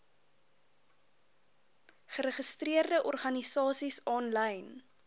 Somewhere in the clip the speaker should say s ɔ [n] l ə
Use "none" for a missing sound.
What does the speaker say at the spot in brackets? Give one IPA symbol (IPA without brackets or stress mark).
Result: n